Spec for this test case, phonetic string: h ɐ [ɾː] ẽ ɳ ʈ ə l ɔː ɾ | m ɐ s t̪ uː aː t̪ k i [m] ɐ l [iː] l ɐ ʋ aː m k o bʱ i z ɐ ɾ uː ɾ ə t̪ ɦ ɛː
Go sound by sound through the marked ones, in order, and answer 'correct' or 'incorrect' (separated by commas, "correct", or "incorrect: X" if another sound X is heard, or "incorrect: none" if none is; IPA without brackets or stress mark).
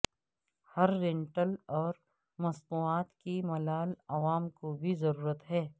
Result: correct, correct, incorrect: aː